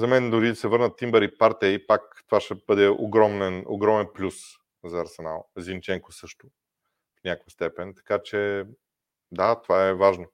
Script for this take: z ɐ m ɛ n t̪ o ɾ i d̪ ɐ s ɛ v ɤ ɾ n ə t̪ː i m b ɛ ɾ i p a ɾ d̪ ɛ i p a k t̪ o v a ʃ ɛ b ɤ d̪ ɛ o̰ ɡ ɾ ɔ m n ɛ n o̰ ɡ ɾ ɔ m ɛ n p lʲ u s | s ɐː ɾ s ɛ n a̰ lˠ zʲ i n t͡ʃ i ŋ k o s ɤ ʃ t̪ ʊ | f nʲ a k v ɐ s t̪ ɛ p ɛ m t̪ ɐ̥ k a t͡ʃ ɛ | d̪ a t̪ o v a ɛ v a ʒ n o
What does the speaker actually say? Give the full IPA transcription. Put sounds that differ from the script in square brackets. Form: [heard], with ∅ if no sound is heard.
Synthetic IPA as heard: z ɐ m ɛ n [d̪] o ɾ i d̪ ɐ s ɛ v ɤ ɾ n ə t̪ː i m b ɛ ɾ i p a ɾ [t̪] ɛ i p a k t̪ o v a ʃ ɛ b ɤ d̪ ɛ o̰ ɡ ɾ ɔ m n ɛ n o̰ ɡ ɾ ɔ m ɛ n p lʲ u s | [z] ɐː ɾ s ɛ n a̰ lˠ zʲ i n t͡ʃ [ɛ] ŋ k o s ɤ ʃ t̪ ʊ | f nʲ a k v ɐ s t̪ ɛ p ɛ [n] t̪ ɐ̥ k a t͡ʃ ɛ | d̪ a t̪ o v a ɛ v a ʒ n o